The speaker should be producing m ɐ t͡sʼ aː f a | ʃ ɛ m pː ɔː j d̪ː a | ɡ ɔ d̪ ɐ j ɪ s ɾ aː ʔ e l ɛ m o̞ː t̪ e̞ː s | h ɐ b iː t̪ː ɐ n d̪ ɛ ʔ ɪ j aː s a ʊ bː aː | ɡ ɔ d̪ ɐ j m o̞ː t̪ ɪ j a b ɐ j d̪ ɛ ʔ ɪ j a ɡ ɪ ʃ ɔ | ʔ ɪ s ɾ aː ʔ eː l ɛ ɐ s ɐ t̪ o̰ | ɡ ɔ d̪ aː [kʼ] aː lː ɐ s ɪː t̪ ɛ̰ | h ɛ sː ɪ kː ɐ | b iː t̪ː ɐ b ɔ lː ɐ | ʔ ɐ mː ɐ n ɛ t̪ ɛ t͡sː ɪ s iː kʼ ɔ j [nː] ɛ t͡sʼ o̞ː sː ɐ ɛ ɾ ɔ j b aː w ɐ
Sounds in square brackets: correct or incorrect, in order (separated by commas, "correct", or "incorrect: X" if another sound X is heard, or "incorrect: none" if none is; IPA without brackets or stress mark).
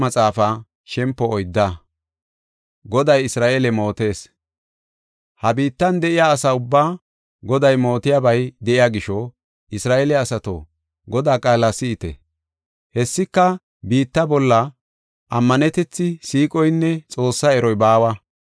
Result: correct, correct